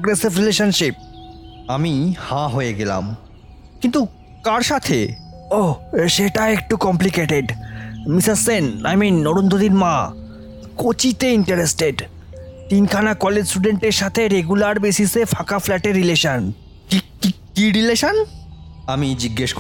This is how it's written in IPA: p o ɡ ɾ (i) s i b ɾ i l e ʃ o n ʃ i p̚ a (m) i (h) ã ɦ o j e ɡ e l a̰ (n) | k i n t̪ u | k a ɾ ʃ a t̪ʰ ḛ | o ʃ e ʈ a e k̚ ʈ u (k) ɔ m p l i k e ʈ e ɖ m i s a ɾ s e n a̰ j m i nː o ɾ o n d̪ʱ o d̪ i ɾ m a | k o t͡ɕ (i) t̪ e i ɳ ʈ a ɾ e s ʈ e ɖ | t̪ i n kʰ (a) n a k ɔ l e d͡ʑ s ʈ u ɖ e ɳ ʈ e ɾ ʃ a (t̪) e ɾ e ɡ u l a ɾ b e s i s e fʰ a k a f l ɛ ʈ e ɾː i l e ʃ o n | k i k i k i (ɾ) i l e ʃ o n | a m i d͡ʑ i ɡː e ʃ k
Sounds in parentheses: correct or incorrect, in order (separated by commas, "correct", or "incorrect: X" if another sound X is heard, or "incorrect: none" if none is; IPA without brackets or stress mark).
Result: incorrect: e, correct, correct, incorrect: m, correct, correct, correct, incorrect: t̪ʰ, correct